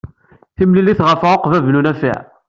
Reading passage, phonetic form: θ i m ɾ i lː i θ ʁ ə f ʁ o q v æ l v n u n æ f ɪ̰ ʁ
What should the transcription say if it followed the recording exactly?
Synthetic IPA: θ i m l i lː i θ ʁ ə f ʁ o q v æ v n u n æ f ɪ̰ ʕ